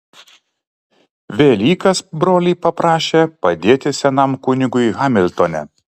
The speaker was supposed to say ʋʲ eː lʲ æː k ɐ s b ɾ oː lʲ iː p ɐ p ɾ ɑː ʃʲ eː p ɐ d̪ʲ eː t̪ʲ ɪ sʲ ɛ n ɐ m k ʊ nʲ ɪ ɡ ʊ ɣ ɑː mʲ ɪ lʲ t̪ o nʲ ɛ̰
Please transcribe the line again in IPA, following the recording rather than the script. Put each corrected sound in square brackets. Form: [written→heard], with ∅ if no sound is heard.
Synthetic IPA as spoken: ʋʲ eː lʲ [æː→iː] k ɐ s b ɾ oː lʲ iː p ɐ p ɾ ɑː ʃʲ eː p ɐ d̪ʲ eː t̪ʲ ɪ sʲ ɛ n ɐ m k ʊ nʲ ɪ ɡ ʊ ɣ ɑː mʲ ɪ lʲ t̪ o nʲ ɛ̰